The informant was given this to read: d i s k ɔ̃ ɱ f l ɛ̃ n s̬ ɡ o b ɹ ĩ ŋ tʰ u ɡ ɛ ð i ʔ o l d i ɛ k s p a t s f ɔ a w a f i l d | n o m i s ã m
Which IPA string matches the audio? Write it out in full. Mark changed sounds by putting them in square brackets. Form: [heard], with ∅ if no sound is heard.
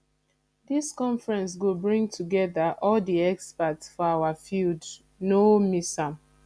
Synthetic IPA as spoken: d i s k ɔ̃ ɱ f [ɹ] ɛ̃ n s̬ ɡ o b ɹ ĩ ŋ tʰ u ɡ ɛ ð [a] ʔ [ɔ] l d i ɛ k s p a t s f ɔ a w a f i l d | n o m i s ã m